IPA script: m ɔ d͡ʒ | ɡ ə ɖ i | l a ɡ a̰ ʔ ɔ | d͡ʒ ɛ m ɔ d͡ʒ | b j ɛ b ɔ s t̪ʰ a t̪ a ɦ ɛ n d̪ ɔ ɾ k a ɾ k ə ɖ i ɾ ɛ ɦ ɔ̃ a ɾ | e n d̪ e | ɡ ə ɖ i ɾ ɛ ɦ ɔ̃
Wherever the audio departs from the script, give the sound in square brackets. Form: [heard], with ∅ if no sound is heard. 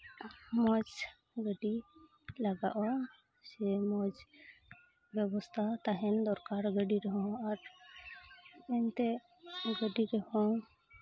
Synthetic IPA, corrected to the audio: m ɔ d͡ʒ | ɡ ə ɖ i | l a ɡ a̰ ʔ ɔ | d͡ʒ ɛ m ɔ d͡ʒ | b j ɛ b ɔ s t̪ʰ a t̪ a ɦ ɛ n d̪ ɔ ɾ k a ɾ [ɡ] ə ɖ i ɾ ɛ ɦ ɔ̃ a ɾ | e n [t̪] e | ɡ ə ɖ i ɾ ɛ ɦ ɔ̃